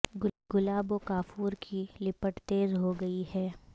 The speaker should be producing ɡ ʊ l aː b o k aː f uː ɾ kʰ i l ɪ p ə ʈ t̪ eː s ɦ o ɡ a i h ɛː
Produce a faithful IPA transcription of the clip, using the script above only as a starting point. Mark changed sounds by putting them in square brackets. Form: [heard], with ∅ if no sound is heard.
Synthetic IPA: ɡ ʊ l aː b o k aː f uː ɾ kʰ i l ɪ p ə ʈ t̪ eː [z] ɦ o ɡ [ɐ] i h ɛː